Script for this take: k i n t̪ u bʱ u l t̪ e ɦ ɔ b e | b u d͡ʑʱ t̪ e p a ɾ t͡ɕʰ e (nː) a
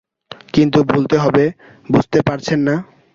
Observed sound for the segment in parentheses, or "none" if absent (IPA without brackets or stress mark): nː